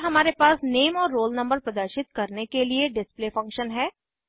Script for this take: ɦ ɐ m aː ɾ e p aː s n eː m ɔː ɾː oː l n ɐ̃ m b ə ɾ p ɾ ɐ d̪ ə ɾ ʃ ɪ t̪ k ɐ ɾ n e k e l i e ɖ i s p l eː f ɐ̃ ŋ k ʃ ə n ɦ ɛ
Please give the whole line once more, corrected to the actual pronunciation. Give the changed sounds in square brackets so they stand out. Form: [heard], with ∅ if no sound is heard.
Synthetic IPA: ɦ ɐ m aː ɾ e p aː s n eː m ɔː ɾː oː l n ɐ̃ m b ə ɾ p ɾ ɐ d̪ ə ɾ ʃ ɪ t̪ k ɐ ɾ n e k e l i e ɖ [ɪ] s p l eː f ɐ̃ ŋ k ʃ ə n ɦ [ɛː]